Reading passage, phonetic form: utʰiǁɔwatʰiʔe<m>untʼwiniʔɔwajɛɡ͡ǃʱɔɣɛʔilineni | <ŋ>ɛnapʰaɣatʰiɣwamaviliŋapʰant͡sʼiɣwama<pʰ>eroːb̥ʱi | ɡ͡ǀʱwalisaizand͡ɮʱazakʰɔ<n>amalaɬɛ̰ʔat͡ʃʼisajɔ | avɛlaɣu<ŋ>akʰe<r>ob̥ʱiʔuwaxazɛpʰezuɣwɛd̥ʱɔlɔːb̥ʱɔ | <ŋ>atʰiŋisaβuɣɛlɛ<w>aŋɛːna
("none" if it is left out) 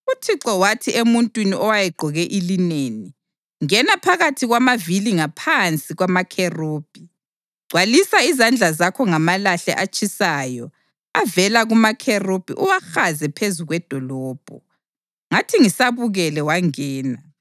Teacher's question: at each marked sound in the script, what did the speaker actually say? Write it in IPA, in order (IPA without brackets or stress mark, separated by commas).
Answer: m, ŋ, kʰ, ŋ, m, r, ŋ, w